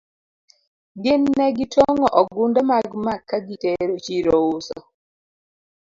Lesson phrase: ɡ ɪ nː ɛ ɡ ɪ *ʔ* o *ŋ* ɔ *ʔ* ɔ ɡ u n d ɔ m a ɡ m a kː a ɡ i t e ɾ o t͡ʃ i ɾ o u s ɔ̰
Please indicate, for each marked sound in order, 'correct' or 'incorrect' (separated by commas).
incorrect, correct, correct